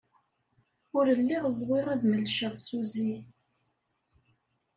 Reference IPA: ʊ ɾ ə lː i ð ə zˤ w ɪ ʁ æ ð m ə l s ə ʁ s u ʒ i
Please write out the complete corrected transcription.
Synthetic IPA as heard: ʊ ɾ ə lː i ʁ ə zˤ w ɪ ʁ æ ð m ə l ʃ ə ʁ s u z i